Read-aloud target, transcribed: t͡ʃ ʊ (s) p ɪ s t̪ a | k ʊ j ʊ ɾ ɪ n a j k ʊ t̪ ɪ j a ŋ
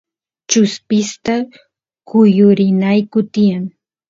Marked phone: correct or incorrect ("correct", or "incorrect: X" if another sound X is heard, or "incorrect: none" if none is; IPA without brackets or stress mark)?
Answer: correct